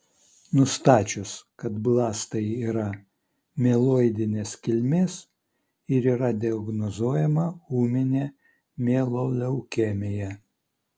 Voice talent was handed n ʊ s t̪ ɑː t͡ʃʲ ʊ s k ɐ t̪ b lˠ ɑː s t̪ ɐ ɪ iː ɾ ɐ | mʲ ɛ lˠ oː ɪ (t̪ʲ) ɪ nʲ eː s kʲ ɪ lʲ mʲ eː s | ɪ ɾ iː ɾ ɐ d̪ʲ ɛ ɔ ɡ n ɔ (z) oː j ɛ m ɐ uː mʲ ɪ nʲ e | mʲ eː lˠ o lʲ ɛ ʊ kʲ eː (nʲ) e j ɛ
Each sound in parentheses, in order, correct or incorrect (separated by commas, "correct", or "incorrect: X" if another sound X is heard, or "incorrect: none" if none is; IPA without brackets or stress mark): incorrect: d̪ʲ, correct, incorrect: mʲ